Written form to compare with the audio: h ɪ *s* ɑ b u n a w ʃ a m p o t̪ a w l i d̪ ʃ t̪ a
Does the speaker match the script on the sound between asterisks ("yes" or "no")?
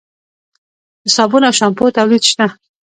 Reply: yes